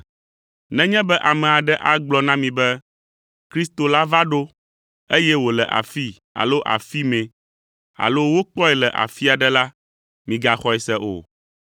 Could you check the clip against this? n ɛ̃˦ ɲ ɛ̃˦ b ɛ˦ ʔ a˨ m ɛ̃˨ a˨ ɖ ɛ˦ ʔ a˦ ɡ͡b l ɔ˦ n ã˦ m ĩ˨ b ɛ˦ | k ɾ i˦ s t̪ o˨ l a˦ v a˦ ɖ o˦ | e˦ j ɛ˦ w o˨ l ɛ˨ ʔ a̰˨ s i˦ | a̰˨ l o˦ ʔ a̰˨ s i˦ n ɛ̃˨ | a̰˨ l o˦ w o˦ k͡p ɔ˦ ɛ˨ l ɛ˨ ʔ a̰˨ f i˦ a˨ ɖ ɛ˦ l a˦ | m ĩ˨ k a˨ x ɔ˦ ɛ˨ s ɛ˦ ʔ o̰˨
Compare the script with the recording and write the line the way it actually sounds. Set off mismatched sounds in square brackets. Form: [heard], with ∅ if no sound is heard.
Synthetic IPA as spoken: n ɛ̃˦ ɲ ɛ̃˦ b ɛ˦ ʔ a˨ m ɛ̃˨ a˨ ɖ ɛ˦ ʔ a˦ ɡ͡b l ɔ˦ n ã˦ m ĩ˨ b ɛ˦ | k ɾ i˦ s t̪ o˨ l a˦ v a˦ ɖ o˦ | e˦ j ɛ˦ w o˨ l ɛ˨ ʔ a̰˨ [f] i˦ | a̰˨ l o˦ ʔ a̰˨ [f] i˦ [m] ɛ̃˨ | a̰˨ l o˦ w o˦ k͡p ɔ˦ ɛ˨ l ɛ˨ ʔ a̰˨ f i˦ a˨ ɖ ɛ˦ l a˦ | m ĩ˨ [ɡ] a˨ x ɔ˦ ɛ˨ s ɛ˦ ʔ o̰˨